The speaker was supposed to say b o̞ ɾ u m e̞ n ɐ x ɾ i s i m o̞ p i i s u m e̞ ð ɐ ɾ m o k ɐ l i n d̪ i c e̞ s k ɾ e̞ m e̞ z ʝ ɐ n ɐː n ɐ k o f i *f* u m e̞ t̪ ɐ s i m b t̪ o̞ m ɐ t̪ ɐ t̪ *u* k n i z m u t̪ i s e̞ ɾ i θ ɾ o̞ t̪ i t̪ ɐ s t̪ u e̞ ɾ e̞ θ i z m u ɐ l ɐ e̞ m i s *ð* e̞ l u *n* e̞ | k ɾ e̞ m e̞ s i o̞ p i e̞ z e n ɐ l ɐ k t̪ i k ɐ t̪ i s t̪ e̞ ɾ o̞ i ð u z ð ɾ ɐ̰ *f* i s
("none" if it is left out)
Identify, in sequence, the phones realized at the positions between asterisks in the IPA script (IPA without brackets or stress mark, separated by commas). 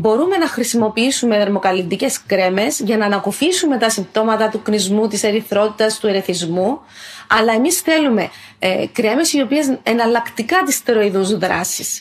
s, u, θ, m, s